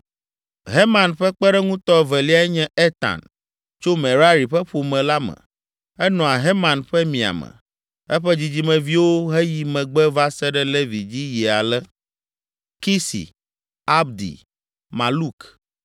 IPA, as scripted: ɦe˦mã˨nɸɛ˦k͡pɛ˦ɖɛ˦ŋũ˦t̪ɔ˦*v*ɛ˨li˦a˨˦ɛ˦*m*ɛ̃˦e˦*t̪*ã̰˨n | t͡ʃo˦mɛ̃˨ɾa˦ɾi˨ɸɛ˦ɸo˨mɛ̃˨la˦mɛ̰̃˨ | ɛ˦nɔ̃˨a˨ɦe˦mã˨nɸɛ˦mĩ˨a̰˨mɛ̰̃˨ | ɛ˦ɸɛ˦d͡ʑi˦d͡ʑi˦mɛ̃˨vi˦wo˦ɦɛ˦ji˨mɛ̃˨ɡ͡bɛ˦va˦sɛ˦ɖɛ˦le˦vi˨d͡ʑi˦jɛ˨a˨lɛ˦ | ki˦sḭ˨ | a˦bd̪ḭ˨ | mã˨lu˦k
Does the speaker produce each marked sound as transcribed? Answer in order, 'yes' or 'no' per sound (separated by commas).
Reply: yes, no, yes